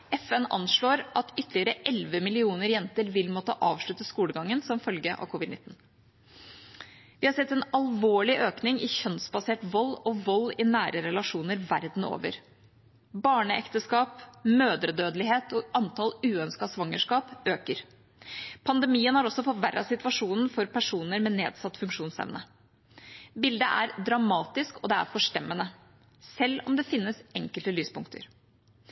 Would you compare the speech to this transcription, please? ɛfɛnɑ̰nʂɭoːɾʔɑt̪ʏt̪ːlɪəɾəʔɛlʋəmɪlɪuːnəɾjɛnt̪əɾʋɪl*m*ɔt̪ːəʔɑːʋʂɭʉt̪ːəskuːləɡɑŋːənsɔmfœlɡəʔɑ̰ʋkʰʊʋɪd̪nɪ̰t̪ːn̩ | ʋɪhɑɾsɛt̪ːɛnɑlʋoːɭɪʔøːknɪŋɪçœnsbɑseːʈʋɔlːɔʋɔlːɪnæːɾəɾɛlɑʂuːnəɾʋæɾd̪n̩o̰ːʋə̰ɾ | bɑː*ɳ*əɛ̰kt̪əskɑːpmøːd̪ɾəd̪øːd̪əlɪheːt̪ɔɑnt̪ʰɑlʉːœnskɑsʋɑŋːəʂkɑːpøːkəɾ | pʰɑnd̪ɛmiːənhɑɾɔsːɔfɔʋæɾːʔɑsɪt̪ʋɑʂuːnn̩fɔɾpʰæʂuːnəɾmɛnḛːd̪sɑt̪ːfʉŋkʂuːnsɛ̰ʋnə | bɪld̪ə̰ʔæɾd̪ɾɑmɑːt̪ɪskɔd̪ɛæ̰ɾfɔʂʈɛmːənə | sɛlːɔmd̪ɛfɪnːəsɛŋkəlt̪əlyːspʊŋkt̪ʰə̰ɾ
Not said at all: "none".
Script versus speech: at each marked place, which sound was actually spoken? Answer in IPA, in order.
m, ɳ

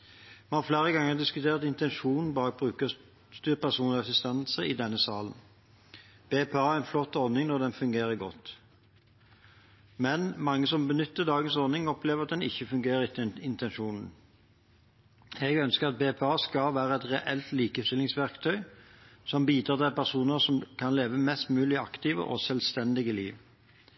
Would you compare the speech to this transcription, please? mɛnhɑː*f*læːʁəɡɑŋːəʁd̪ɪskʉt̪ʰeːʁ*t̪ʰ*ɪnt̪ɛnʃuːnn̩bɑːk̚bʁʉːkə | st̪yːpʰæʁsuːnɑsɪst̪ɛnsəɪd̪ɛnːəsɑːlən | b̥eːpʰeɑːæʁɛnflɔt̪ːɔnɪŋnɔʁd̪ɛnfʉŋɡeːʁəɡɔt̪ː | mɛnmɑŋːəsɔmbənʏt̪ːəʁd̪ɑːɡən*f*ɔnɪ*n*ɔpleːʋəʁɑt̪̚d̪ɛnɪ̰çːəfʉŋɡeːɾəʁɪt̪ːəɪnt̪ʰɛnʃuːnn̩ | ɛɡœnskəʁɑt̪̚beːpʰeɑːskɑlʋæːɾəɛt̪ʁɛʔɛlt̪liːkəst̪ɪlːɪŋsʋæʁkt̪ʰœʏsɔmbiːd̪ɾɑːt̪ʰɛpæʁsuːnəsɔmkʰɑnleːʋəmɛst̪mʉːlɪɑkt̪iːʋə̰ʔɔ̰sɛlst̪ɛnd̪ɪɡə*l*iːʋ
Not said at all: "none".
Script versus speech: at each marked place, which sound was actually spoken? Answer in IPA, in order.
f, t̪, s, ŋ, l

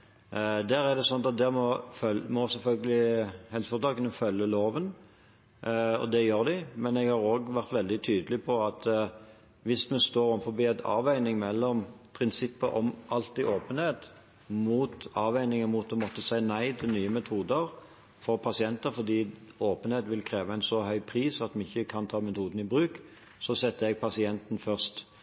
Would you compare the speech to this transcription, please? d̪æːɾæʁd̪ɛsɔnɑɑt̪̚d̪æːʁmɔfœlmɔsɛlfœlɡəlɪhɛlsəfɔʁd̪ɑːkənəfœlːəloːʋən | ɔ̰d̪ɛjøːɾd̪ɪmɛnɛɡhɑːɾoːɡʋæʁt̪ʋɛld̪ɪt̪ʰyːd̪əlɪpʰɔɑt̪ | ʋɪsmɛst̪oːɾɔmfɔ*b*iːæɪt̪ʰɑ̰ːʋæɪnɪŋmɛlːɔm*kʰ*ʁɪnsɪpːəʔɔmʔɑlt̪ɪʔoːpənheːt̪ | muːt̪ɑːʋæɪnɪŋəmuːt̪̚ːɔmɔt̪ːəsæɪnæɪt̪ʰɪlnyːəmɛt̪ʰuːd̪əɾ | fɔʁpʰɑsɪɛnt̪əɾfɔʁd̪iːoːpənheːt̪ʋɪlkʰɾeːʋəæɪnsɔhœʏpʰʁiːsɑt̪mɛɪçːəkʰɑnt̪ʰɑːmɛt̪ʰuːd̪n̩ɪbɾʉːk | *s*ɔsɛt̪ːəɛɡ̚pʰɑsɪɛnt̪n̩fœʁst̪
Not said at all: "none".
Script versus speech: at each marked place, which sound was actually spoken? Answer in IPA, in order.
b, pʰ, s

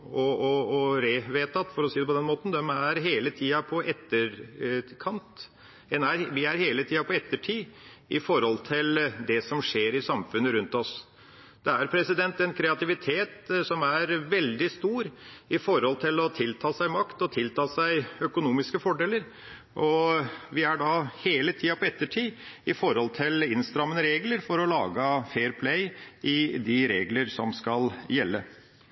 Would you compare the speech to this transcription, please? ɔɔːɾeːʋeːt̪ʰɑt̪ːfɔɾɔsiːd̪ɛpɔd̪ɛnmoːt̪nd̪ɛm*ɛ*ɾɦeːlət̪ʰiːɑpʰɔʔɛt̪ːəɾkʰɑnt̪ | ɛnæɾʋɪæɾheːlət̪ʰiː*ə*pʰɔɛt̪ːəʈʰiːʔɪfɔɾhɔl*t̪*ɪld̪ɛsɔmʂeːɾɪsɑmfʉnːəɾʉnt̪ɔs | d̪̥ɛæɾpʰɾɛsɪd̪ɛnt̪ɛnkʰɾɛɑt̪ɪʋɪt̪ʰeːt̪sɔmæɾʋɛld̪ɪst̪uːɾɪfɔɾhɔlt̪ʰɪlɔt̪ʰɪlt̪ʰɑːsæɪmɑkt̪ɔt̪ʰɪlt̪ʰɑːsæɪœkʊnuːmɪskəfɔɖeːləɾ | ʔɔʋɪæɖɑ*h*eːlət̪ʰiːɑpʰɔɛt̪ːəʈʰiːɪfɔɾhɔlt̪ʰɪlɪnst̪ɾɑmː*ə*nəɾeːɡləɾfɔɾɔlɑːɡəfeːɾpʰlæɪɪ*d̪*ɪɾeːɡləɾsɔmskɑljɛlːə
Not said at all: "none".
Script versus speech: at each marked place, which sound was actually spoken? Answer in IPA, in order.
æ, ɑ, t̪ʰ, h, ə, d̪

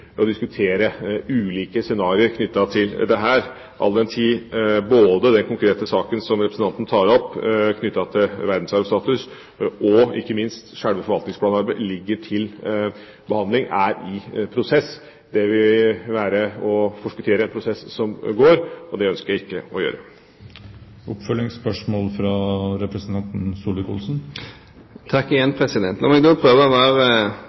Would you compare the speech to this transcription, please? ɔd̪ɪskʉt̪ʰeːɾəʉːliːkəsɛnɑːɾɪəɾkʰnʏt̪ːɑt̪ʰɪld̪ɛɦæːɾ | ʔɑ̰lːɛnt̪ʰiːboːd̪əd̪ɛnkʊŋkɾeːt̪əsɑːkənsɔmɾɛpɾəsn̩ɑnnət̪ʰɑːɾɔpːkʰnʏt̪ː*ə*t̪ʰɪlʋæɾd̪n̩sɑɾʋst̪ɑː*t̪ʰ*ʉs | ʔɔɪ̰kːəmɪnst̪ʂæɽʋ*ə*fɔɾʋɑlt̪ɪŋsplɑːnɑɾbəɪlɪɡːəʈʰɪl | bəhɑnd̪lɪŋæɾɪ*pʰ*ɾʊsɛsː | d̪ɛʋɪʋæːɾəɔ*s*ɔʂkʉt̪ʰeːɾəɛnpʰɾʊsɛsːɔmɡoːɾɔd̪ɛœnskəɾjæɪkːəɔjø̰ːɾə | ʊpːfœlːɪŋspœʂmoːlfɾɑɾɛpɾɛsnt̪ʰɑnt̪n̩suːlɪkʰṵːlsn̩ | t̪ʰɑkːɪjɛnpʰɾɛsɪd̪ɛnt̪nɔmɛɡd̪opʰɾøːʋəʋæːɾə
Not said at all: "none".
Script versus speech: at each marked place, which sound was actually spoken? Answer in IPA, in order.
ɑ, t̪, ə, pʰ, f

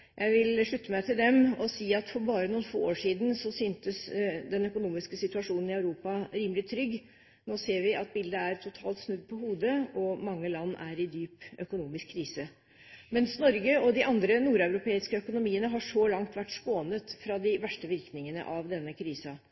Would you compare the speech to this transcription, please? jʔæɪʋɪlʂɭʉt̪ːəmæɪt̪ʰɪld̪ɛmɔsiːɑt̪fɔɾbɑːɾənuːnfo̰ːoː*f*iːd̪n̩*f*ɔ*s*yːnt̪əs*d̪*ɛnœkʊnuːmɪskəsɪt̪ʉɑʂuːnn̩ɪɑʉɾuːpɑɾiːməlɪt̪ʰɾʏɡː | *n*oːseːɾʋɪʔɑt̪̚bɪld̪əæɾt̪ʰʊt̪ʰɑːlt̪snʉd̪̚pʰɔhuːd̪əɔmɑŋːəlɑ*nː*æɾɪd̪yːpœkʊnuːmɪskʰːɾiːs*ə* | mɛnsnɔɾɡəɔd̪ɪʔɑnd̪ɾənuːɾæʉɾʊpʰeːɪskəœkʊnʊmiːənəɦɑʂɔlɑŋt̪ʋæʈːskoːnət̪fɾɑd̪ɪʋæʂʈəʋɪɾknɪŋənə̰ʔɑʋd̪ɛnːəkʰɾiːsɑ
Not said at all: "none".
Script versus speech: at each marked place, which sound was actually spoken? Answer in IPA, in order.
ʂ, s, s, d̪, n, nː, ə

